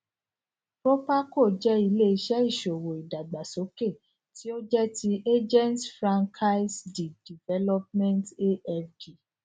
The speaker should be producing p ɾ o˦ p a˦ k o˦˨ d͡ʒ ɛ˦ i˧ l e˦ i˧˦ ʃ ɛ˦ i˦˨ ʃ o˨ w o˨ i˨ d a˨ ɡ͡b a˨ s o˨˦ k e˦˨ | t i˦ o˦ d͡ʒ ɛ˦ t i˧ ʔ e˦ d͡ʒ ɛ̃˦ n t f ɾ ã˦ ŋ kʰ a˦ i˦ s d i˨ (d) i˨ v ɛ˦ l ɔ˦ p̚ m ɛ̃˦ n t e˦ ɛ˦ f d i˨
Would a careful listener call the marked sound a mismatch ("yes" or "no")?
no